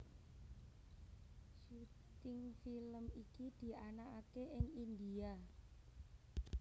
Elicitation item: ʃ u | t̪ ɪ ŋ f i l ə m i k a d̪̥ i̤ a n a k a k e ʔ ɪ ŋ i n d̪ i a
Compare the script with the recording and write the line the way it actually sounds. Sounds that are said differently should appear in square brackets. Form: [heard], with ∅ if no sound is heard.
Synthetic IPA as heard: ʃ u | t̪ ɪ ŋ f i l ə m i k [i] d̪̥ i̤ a n a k a k e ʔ ɪ ŋ i n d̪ i a